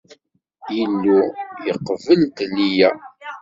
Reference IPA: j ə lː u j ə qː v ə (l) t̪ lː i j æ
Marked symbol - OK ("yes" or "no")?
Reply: yes